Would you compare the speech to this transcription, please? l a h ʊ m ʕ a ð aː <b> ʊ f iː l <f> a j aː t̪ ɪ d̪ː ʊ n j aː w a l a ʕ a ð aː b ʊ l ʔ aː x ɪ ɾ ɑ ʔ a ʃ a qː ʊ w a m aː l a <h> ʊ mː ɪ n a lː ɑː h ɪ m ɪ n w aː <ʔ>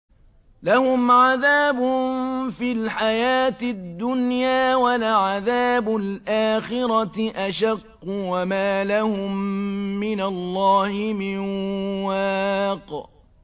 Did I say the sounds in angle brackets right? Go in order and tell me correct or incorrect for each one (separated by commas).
correct, incorrect, correct, incorrect